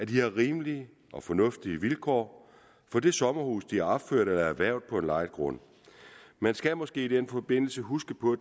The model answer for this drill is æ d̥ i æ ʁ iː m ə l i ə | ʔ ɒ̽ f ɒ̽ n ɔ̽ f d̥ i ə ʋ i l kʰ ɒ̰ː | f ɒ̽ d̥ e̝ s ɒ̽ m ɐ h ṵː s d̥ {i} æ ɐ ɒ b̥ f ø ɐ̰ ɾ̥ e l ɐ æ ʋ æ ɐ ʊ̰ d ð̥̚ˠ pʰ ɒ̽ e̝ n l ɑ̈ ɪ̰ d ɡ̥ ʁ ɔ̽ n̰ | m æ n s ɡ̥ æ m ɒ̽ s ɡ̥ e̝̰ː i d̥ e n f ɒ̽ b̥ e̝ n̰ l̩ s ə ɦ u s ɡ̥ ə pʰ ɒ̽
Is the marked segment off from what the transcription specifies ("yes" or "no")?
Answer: no